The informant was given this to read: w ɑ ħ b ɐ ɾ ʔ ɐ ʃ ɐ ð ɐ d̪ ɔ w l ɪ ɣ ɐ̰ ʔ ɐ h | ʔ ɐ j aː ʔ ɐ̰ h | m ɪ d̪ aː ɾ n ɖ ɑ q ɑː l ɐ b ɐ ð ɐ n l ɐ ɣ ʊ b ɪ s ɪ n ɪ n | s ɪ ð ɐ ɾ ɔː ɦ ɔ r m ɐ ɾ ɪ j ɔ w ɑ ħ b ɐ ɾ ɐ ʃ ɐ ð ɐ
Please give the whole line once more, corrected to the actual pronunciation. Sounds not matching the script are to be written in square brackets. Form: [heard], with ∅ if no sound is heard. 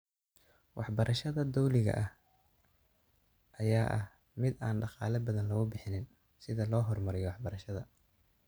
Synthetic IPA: w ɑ ħ b ɐ ɾ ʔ ɐ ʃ ɐ ð ɐ d̪ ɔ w l ɪ ɣ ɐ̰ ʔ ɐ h | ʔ ɐ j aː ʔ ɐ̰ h | m ɪ d̪ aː [∅] n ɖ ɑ q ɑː l ɐ b ɐ ð ɐ n l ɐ ɣ ʊ b ɪ [ħ] ɪ n ɪ n | s ɪ ð ɐ [l] ɔː ɦ ɔ r m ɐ ɾ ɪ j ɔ w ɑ ħ b ɐ ɾ ɐ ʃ ɐ ð ɐ